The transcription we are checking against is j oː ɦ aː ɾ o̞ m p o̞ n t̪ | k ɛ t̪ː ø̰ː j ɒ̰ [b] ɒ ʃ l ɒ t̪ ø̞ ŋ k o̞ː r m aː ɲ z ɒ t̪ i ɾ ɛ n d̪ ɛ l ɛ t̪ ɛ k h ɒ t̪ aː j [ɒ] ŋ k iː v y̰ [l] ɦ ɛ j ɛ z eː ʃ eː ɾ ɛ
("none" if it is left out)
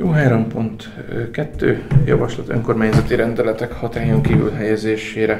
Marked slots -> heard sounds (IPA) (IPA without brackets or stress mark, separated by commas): v, o, l